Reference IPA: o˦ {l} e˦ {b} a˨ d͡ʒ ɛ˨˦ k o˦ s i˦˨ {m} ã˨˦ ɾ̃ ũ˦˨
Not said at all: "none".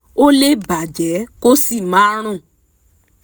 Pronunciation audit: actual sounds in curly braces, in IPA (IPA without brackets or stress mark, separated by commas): l, b, m